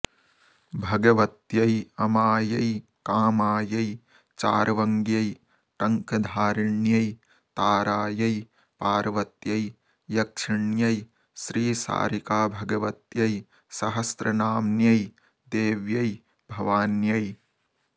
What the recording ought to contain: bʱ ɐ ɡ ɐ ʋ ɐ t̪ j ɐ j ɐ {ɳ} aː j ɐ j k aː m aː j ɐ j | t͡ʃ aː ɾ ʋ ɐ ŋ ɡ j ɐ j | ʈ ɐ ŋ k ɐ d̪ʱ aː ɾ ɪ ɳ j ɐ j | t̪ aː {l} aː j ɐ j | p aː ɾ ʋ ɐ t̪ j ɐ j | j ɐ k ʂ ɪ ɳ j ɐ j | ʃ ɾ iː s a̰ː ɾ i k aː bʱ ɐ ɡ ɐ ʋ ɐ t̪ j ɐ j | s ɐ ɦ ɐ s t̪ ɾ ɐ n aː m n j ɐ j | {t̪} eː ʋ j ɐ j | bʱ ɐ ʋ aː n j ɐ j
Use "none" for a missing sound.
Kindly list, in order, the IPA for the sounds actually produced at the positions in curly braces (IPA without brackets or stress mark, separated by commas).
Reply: m, ɾ, d̪